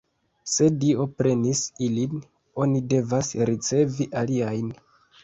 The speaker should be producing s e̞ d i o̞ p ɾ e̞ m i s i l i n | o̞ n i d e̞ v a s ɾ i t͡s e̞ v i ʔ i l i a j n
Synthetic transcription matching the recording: s e̞ d i o̞ p ɾ e̞ n i s i l i n | o̞ n i d e̞ v a s ɾ i t͡s e̞ v i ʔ a l i a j n